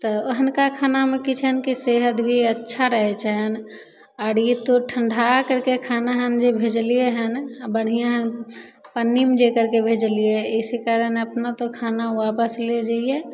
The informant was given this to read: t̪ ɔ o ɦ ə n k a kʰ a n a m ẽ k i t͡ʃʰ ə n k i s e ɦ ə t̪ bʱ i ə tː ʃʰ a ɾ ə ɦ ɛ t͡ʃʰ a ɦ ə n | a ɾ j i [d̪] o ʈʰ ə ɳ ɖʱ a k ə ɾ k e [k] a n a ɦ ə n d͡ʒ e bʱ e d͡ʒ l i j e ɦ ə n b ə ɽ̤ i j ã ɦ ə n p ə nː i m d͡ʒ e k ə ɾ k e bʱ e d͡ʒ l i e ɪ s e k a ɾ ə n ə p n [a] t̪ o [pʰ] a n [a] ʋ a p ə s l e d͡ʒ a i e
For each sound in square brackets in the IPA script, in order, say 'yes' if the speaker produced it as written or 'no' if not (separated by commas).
no, no, yes, no, yes